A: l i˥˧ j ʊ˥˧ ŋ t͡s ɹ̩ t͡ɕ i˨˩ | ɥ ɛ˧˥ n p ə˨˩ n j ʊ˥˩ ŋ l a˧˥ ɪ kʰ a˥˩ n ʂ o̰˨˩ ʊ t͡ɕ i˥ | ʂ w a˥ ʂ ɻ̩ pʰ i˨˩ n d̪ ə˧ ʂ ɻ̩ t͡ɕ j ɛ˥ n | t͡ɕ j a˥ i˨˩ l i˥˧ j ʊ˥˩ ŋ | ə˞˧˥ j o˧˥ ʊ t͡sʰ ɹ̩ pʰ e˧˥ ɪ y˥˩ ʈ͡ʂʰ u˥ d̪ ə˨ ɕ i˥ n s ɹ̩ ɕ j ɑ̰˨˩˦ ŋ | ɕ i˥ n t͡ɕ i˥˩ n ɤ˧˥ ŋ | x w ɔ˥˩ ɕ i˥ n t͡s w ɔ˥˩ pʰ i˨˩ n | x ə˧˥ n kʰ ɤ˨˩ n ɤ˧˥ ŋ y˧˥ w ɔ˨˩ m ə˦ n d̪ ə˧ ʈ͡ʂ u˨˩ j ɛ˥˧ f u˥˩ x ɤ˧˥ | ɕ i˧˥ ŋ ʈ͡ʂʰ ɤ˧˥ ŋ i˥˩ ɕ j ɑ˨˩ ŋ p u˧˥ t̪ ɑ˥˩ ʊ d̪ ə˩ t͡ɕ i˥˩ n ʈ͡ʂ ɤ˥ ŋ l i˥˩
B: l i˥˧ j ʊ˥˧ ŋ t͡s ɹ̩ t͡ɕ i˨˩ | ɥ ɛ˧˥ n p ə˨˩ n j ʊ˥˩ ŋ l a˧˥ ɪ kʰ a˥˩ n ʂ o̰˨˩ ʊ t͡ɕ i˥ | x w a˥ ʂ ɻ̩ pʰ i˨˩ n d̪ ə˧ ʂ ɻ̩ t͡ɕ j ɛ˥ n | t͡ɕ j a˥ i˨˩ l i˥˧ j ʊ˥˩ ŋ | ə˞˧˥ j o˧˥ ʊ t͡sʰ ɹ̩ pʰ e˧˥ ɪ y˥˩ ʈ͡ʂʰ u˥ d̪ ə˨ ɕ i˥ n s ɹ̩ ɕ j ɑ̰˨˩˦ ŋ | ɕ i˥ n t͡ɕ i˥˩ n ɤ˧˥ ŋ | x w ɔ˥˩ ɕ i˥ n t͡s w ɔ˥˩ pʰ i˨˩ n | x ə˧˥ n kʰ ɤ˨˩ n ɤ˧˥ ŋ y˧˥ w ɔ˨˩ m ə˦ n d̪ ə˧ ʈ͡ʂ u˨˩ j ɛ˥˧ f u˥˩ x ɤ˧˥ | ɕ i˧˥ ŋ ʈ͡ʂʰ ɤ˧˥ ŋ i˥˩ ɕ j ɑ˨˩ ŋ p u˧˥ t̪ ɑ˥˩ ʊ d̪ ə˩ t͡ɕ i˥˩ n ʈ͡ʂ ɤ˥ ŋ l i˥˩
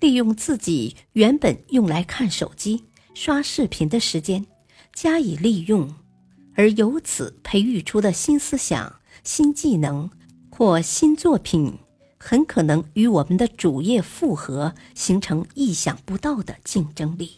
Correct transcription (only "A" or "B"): A